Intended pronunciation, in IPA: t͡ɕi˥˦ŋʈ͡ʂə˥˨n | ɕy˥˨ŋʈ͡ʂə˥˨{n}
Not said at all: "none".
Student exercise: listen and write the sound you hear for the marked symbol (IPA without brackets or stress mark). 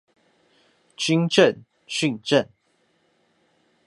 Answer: n